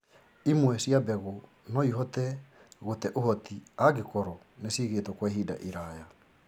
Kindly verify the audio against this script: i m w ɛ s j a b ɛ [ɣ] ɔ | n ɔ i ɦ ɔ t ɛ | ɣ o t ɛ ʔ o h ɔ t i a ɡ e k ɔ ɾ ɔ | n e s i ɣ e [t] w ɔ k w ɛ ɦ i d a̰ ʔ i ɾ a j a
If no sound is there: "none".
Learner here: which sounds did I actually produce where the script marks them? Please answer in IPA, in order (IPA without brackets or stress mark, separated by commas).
ɣ, t